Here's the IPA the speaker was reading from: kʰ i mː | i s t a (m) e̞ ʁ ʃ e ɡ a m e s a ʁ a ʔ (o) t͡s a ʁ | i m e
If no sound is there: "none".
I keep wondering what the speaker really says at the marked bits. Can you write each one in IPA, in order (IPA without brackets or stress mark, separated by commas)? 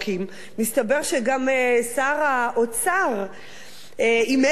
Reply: b, o